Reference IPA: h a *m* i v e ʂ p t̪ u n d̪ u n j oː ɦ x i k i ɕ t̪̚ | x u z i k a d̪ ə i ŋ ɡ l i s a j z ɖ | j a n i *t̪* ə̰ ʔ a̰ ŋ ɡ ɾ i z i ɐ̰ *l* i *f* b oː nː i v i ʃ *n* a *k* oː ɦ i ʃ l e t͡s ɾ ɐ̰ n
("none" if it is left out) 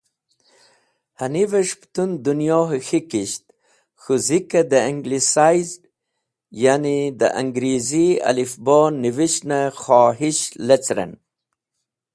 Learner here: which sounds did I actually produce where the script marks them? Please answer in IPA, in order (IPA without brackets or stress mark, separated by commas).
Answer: n, d̪, l, f, n, x